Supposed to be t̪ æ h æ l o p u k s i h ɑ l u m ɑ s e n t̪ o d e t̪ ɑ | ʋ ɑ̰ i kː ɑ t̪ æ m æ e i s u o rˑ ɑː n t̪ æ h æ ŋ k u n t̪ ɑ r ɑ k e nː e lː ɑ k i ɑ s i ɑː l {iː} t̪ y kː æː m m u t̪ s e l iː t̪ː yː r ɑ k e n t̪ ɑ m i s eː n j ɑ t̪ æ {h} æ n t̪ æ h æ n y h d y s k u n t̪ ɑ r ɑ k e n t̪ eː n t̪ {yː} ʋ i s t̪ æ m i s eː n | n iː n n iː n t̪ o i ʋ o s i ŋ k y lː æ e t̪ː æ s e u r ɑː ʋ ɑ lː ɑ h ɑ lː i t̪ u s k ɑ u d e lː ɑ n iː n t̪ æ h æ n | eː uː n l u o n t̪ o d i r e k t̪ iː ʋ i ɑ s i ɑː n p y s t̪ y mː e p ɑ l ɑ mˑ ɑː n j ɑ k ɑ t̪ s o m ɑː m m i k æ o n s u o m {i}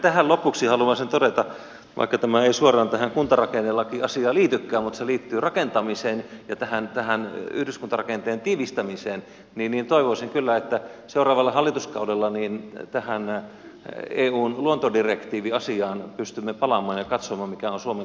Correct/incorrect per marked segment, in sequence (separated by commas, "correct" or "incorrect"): correct, correct, incorrect, incorrect